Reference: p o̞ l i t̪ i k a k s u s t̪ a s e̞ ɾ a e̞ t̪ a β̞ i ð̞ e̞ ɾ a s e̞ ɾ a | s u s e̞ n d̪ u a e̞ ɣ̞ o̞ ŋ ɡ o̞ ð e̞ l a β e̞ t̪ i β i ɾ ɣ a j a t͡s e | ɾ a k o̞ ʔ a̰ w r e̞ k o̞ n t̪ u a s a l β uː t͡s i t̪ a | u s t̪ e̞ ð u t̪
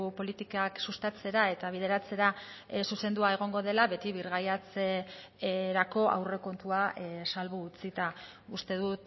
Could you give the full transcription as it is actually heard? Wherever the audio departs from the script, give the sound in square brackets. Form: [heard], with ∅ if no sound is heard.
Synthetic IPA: p o̞ l i t̪ i k a k s u s t̪ a [t͡s] e̞ ɾ a e̞ t̪ a β̞ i ð̞ e̞ ɾ a [t͡s] e̞ ɾ a | s u s e̞ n d̪ u a e̞ ɣ̞ o̞ ŋ ɡ o̞ ð e̞ l a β e̞ t̪ i β i ɾ ɣ a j a t͡s e | ɾ a k o̞ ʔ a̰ w r e̞ k o̞ n t̪ u a s a l β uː t͡s i t̪ a | u s t̪ e̞ ð u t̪